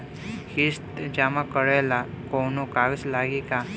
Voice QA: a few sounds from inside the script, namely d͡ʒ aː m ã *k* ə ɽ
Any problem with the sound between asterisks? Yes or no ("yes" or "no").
no